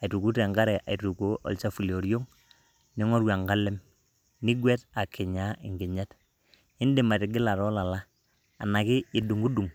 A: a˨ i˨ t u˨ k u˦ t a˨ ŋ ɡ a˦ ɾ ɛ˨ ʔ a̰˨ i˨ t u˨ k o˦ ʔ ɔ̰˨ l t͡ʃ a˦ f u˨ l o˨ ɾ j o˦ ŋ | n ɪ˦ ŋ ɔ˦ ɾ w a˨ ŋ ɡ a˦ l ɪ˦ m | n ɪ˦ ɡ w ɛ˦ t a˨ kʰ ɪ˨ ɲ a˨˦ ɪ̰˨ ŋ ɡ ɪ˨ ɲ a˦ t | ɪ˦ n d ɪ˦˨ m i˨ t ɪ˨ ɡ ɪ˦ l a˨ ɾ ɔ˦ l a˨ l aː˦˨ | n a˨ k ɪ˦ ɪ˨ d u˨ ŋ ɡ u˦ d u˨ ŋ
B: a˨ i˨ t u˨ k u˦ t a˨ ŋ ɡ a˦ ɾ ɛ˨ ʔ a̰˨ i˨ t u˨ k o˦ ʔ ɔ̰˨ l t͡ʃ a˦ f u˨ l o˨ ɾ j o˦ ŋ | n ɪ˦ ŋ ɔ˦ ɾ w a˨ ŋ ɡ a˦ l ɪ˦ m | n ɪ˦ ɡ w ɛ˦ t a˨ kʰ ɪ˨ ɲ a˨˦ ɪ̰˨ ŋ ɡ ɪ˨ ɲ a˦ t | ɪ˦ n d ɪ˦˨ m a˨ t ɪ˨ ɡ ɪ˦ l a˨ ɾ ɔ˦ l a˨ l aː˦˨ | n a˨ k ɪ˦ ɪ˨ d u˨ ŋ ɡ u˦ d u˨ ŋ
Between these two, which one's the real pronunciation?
B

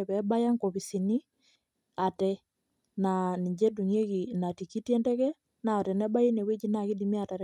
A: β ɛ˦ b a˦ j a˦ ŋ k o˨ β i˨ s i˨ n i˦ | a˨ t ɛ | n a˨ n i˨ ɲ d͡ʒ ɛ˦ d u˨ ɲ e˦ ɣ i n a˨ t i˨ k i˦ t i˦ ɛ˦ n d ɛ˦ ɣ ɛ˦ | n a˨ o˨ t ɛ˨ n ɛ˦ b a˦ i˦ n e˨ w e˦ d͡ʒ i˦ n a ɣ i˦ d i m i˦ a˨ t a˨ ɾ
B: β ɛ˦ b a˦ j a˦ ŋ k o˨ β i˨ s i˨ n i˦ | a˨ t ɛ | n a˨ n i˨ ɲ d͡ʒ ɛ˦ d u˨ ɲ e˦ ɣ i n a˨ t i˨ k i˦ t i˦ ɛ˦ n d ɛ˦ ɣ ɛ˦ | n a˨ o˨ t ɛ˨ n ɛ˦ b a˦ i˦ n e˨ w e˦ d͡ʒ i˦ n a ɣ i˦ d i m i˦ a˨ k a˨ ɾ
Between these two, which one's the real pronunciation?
A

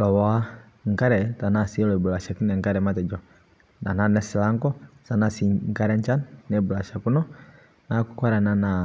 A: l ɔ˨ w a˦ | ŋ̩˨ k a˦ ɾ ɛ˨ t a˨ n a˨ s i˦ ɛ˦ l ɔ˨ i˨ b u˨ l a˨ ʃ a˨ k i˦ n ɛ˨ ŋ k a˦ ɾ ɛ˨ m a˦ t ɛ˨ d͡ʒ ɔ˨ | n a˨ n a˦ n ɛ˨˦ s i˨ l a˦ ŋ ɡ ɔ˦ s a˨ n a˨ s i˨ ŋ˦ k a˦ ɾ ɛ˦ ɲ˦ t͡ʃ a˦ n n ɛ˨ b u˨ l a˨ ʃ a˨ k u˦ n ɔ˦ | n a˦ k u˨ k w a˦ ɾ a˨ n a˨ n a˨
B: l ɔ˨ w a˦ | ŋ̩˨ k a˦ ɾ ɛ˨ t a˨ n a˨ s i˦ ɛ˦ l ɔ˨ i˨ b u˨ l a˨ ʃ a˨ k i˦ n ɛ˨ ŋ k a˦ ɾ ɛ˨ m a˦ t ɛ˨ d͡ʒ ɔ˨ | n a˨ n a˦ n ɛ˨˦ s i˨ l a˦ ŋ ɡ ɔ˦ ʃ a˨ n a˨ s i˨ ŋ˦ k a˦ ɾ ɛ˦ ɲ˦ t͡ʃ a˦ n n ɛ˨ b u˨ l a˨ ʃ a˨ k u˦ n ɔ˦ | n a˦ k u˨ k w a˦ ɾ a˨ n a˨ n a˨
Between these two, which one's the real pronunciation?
A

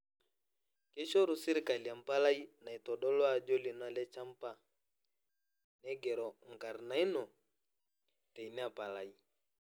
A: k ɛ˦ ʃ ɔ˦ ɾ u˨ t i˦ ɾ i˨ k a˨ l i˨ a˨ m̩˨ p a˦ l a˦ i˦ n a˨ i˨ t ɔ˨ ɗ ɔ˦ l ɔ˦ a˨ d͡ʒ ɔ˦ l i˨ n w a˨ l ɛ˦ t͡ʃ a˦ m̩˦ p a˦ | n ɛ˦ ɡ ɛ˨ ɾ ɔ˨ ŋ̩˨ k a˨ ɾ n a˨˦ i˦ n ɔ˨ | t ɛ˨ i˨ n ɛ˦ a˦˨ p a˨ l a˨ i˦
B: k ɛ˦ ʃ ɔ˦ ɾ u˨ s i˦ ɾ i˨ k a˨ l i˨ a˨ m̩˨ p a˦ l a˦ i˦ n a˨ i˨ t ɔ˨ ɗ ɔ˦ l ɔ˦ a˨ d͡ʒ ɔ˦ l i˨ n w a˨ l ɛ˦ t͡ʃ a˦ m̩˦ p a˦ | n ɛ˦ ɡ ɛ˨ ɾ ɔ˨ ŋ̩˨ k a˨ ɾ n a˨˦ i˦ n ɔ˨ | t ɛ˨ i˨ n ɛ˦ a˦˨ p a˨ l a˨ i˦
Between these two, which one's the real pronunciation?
B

